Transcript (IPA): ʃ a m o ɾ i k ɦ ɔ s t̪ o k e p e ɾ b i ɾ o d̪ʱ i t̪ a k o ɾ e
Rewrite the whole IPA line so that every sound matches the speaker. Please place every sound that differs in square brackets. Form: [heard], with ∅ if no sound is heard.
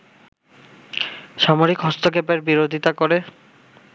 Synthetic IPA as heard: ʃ a m o ɾ i k ɦ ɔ s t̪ o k e p e ɾ b i ɾ o d̪ʱ i t̪ a k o ɾ e